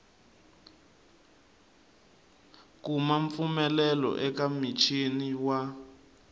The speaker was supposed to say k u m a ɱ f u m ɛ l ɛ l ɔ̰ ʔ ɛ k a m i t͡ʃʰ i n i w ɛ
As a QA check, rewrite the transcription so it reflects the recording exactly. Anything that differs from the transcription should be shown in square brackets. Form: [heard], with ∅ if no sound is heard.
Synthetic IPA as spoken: k u m a ɱ f u m ɛ l ɛ l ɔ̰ ʔ ɛ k a m i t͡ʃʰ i n i w [a]